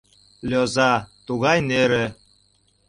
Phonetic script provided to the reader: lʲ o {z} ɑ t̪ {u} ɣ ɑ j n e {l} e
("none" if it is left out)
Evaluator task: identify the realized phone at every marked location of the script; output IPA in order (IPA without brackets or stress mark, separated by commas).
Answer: z, u, ɾ